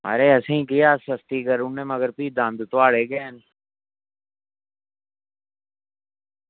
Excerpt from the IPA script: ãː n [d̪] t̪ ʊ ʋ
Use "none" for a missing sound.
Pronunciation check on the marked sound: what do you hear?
d̪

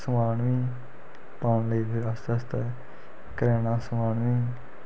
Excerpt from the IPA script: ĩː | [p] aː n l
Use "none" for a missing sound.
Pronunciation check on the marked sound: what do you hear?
p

